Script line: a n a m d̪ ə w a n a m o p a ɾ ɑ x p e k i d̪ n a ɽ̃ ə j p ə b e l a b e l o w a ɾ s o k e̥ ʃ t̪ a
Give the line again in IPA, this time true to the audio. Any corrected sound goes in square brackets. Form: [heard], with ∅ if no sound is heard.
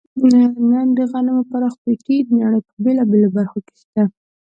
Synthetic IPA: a n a [n] d̪ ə [ɣ] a n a m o p a ɾ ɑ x p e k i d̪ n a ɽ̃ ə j p ə b e l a b e l o [b] a ɾ [x] o k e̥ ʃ t̪ a

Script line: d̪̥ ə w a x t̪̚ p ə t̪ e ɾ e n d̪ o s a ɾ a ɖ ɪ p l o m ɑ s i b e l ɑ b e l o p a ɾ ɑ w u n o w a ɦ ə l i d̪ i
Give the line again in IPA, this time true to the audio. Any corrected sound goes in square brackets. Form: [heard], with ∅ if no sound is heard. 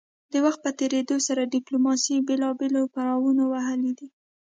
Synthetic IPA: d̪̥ ə w a x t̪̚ p ə t̪ e ɾ e [∅] d̪ o s a ɾ a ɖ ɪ p l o m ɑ s i b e l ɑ b e l o p a ɾ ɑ w u n o w a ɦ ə l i d̪ i

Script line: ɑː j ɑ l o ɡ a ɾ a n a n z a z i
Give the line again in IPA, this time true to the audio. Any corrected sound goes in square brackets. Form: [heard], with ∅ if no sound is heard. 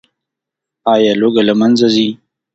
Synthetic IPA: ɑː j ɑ l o ɡ a [l] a [m] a n z a z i

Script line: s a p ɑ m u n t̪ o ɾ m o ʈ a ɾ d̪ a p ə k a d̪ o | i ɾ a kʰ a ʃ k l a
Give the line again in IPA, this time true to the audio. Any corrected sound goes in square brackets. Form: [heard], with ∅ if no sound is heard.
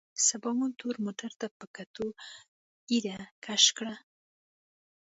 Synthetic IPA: s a [b] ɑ m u n t̪ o ɾ m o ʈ a ɾ [t̪] a p ə k a [t̪] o | i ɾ a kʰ a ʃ k [ɽ] a

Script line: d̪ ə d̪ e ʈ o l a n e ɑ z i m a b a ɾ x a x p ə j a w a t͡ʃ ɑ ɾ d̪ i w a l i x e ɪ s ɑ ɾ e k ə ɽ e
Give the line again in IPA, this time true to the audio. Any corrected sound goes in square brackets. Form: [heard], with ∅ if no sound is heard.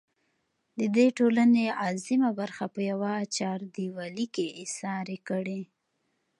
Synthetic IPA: d̪ ə d̪ e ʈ o l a n e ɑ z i m a b a ɾ x a [∅] p ə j a w a t͡ʃ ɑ ɾ d̪ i w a l i [k] e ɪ s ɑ ɾ e k ə ɽ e

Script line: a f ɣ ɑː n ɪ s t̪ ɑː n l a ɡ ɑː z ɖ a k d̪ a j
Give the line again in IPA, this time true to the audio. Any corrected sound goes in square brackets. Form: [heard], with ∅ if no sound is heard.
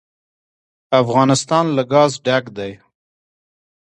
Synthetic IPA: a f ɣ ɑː n ɪ s t̪ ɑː n l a ɡ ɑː z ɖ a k d̪ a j

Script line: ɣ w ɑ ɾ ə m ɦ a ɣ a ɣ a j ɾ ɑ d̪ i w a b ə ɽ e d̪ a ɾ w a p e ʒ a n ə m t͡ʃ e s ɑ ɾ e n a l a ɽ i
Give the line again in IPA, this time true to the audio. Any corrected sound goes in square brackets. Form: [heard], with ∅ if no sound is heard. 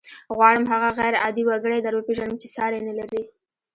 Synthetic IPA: ɣ w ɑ [ɽ] ə m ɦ a ɣ a ɣ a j ɾ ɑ d̪ i w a [ɡ] ə ɽ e d̪ a ɾ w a p e ʒ a n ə m t͡ʃ e s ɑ ɾ e n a l a [ɾ] i

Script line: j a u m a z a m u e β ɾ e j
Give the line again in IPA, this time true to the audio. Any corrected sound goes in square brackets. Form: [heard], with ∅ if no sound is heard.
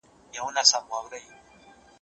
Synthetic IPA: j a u [n] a [s] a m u [a] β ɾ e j

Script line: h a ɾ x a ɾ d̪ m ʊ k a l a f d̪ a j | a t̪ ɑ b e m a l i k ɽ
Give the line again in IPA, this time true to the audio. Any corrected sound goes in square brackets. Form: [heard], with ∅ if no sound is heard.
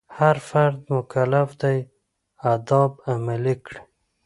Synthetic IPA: h a ɾ [f] a ɾ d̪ m ʊ k a l a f d̪ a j | a [d̪] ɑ b [a] m a l i k ɽ

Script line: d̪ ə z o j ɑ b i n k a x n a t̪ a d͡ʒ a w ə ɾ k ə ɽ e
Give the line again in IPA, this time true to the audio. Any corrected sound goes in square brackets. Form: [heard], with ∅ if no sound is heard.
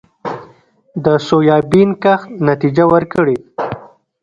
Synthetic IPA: d̪ ə [s] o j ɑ b i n k a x n a t̪ [i] d͡ʒ a w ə ɾ k ə ɽ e

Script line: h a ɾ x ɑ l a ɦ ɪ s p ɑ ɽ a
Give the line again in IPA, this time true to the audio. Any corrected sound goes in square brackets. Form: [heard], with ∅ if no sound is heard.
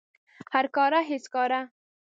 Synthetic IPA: h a ɾ [k] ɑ [ɾ] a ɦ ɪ s [k] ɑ [ɾ] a

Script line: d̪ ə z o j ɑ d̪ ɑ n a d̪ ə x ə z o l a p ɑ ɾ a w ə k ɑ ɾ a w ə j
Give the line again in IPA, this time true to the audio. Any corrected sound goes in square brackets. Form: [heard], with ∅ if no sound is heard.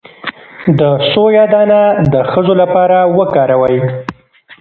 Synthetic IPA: d̪ ə [s] o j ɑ d̪ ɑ n a d̪ ə x ə z o l a p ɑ ɾ a w ə k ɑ ɾ a w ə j

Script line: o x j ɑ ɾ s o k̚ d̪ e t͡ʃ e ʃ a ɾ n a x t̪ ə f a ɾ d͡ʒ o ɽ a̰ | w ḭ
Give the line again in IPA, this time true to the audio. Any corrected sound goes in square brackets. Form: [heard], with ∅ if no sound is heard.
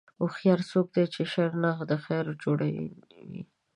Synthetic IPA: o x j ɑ ɾ s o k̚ d̪ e t͡ʃ e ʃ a ɾ n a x [d̪] ə [x] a ɾ d͡ʒ o ɽ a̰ | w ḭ

